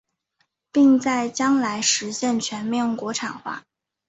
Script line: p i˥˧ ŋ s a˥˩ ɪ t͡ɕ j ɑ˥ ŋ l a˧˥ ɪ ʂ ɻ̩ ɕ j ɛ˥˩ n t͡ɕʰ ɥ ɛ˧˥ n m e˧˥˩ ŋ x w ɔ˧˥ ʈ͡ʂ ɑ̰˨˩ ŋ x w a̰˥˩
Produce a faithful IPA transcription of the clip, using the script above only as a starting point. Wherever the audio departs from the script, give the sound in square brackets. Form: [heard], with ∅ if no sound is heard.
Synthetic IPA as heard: p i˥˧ ŋ [t͡s] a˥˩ ɪ t͡ɕ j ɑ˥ ŋ l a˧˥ ɪ ʂ ɻ̩ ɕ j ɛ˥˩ n t͡ɕʰ ɥ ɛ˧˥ n m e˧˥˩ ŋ [k] w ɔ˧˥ [ʈ͡ʂʰ] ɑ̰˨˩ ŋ x w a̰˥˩